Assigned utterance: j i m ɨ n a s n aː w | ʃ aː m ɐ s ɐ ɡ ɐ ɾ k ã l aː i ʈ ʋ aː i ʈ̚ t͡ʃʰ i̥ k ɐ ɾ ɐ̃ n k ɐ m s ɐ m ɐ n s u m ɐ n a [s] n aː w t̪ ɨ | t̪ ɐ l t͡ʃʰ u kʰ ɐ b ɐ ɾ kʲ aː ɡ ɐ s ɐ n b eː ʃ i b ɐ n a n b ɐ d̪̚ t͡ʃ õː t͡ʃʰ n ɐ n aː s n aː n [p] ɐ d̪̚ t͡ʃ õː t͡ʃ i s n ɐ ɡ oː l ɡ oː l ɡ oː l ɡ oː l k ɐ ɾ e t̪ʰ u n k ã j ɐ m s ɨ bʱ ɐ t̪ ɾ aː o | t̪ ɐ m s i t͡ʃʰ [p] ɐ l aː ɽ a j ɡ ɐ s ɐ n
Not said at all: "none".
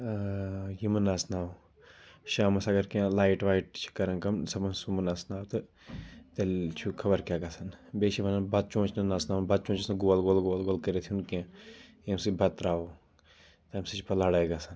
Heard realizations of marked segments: s, b, p

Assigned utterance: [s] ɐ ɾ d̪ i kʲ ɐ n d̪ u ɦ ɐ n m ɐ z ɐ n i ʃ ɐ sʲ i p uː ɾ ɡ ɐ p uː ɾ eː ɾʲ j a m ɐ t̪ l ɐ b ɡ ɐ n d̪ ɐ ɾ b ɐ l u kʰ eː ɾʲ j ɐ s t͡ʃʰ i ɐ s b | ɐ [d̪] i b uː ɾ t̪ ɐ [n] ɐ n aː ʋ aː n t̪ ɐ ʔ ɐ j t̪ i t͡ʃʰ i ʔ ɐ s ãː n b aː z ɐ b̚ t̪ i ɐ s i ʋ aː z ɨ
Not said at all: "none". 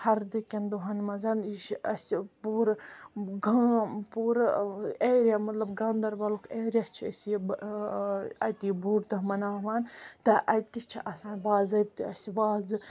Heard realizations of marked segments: h, t̪, m

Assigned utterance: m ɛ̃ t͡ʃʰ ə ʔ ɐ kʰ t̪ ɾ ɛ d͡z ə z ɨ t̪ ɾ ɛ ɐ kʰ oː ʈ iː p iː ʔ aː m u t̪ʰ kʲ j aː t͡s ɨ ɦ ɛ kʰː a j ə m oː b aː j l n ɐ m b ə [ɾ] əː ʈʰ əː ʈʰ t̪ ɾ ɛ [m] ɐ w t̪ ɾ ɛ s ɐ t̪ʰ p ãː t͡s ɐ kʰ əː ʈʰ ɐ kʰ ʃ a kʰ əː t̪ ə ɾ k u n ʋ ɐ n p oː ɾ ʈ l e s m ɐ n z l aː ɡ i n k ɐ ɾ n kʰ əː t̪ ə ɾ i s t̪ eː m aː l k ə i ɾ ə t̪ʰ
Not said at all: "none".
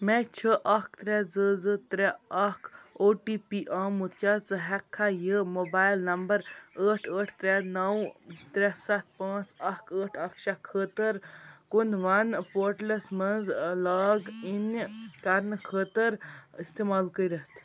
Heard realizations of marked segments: ɾ, n

